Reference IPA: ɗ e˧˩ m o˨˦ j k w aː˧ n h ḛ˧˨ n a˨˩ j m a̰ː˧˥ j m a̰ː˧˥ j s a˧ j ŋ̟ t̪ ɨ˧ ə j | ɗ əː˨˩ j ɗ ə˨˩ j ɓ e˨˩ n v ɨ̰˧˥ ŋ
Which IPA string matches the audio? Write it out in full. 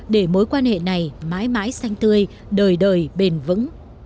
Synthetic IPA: ɗ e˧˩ m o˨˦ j k w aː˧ n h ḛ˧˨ n a˨˩ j m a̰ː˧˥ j m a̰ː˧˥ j s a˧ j ŋ̟ t̪ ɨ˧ ə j | ɗ əː˨˩ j ɗ əː˨˩ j ɓ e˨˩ n v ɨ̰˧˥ ŋ